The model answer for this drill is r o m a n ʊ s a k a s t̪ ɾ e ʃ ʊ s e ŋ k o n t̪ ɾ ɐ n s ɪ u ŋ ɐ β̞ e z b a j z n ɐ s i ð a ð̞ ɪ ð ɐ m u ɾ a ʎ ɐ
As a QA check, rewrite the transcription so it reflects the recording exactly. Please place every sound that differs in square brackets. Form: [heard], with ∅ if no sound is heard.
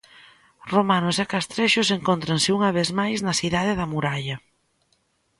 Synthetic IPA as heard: r o m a n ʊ s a k a s t̪ ɾ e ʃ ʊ s e ŋ k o n t̪ ɾ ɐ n s ɪ u ŋ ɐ β̞ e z [m] a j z n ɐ s i ð a ð̞ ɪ ð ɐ m u ɾ a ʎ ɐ